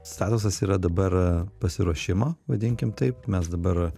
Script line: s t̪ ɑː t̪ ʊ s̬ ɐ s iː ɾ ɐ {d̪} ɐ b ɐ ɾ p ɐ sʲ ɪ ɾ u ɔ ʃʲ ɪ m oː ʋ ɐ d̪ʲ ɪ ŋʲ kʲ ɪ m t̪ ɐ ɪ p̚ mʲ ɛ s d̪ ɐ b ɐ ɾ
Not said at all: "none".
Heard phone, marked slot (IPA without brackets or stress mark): d̪